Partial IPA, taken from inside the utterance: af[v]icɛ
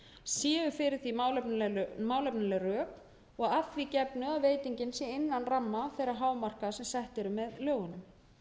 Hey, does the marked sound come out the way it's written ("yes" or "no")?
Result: yes